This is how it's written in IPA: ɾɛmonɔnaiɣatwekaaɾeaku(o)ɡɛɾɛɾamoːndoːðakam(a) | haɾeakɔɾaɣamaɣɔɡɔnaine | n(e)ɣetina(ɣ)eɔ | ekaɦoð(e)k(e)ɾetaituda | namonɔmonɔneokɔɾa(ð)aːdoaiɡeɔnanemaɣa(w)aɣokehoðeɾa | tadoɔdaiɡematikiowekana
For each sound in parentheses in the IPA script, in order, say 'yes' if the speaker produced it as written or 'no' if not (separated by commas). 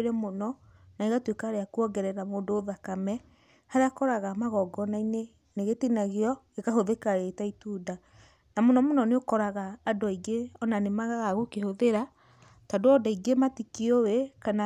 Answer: no, no, yes, yes, yes, no, no, no